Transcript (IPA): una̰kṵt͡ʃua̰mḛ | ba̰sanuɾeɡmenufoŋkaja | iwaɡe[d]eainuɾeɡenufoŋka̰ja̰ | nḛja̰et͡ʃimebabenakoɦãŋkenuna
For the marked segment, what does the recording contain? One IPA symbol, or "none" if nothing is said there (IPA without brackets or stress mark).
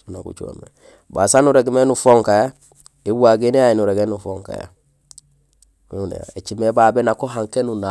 n